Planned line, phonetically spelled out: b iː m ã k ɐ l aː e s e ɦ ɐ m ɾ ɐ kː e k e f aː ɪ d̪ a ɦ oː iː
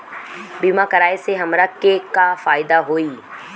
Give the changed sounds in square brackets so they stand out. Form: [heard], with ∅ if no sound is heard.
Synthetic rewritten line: b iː m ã k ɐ [ɾ] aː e s e ɦ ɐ m ɾ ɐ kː e k [a] f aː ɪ d̪ a ɦ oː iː